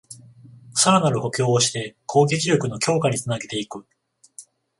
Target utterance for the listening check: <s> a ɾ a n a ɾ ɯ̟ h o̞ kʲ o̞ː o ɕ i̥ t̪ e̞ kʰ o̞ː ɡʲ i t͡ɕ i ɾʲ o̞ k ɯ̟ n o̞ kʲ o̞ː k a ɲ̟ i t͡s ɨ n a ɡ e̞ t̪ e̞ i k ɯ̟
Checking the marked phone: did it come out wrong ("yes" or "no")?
no